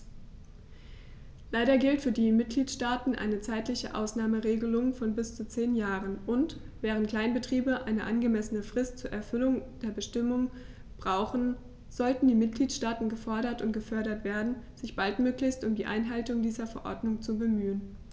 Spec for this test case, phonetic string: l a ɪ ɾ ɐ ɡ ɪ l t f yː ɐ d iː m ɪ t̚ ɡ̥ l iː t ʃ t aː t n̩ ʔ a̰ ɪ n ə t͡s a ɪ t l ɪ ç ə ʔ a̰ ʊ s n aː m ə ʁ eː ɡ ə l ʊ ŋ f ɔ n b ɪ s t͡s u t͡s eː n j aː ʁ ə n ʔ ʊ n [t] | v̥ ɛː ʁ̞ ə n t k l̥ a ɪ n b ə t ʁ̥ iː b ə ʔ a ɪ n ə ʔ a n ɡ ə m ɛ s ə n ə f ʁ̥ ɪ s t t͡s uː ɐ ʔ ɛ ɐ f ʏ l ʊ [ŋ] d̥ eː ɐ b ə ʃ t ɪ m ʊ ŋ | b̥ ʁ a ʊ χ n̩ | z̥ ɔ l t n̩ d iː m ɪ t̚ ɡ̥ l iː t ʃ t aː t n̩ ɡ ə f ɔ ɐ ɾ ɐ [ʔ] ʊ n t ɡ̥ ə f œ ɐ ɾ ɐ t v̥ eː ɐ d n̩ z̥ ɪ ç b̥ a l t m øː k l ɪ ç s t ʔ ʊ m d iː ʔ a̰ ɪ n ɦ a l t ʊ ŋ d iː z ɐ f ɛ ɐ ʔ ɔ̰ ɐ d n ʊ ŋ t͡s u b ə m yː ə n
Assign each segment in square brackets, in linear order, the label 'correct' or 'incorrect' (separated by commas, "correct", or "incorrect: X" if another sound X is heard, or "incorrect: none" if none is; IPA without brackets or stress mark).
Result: correct, correct, incorrect: t